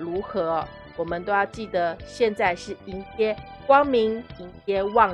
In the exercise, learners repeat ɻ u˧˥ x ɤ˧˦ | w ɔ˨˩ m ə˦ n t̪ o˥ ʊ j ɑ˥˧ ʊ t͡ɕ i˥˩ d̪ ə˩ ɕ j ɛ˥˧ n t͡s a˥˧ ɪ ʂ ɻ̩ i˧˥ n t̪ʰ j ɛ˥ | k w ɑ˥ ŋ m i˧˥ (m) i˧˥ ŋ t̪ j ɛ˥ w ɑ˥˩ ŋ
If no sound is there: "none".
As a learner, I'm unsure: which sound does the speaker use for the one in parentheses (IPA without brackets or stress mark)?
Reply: ŋ